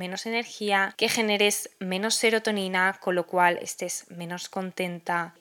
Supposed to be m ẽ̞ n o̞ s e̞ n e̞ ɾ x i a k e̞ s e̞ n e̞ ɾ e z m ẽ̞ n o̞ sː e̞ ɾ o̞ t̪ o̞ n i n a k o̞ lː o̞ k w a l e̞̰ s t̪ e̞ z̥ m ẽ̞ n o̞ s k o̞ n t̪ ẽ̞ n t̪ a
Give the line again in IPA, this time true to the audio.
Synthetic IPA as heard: m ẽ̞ n o̞ s e̞ n e̞ ɾ x i a k e̞ x e̞ n e̞ ɾ e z m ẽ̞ n o̞ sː e̞ ɾ o̞ t̪ o̞ n i n a k o̞ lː o̞ k w a l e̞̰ s t̪ e̞ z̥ m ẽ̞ n o̞ s k o̞ n t̪ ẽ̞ n t̪ a